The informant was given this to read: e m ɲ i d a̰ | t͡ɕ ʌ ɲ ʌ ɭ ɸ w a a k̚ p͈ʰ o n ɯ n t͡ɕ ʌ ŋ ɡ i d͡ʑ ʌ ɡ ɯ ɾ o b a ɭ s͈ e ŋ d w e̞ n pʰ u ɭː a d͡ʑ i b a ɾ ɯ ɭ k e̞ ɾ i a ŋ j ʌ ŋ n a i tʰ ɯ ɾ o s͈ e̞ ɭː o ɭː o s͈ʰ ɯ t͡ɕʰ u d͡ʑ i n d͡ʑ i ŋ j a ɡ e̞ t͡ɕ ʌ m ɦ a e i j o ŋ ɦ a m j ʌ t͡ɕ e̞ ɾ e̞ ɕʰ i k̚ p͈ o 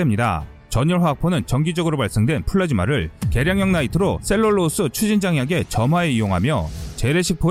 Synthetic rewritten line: e m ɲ i d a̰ | t͡ɕ ʌ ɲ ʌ ɭ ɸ w a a k̚ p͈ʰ o n ɯ n t͡ɕ ʌ ŋ ɡ i d͡ʑ ʌ ɡ ɯ ɾ o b a ɭ s͈ e ŋ d w e̞ n pʰ u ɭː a d͡ʑ i m a ɾ ɯ ɭ k e̞ ɾ j a ŋ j ʌ ŋ n a i tʰ ɯ ɾ o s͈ e̞ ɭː o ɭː o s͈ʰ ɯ t͡ɕʰ u d͡ʑ i n d͡ʑ a ŋ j a ɡ e̞ t͡ɕ ʌ m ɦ a e i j o ŋ ɦ a m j ʌ t͡ɕ e̞ ɾ e̞ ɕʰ i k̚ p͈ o